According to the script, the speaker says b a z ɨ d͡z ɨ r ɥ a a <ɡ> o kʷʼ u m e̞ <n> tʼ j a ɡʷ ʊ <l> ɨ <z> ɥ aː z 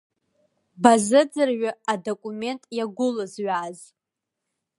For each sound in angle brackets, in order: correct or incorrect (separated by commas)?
incorrect, correct, correct, correct